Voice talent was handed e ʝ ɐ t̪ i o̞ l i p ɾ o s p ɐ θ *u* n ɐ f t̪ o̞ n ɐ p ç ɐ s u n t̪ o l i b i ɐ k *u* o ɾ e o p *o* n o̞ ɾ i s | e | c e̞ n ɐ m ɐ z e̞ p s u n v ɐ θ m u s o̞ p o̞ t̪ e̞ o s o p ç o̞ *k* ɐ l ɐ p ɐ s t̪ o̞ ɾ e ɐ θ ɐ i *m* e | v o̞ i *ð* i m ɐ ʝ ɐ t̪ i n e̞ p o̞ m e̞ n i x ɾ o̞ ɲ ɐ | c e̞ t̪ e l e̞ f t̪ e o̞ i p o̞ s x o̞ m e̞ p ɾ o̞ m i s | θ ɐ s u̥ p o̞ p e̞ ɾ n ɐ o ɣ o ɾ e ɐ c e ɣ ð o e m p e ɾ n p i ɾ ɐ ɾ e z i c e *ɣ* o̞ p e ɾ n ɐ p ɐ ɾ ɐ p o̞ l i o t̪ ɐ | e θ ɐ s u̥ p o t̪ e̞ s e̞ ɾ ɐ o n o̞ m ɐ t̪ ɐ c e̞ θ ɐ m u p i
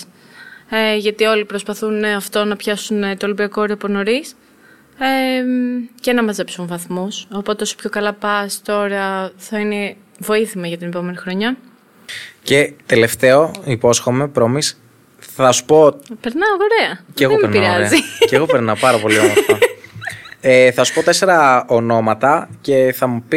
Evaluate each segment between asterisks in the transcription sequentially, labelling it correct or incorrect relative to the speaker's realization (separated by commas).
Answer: correct, incorrect, correct, correct, incorrect, incorrect, correct